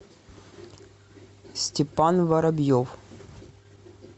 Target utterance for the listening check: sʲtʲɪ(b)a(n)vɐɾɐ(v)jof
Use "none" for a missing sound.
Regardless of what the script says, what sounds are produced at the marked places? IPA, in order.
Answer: p, n, b

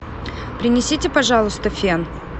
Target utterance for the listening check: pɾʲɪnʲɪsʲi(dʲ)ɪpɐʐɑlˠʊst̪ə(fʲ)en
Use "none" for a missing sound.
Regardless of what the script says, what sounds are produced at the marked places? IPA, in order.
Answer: tʲ, fʲ

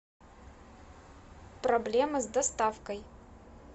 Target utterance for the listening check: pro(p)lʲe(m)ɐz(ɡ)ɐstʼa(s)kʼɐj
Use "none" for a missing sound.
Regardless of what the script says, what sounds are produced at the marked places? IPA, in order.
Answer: b, m, d, f

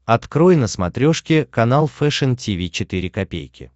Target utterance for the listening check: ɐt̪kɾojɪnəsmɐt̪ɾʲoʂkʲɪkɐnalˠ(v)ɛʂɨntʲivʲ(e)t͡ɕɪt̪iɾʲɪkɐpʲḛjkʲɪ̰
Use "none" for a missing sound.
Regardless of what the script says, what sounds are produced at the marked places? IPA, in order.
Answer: f, i

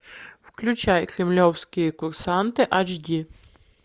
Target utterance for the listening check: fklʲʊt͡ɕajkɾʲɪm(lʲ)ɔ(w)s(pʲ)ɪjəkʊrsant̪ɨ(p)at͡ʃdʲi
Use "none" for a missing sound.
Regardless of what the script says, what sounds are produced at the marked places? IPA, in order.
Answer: lʲ, w, kʲ, ʔ

